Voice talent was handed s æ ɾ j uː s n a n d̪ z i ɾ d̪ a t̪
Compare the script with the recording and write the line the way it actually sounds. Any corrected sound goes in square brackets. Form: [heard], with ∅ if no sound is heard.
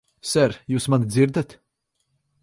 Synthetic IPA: s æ ɾ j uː s [m] a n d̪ z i ɾ d̪ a t̪